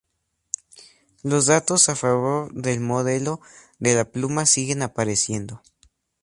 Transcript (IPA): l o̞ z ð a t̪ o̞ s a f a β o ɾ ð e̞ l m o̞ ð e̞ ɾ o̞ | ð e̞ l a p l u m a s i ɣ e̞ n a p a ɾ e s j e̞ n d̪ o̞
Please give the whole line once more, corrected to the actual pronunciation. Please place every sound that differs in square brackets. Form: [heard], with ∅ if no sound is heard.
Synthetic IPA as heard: l o̞ z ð a t̪ o̞ s a f a β o ɾ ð e̞ l m o̞ ð e̞ [l] o̞ | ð e̞ l a p l u m a s i ɣ e̞ n a p a ɾ e s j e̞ n d̪ o̞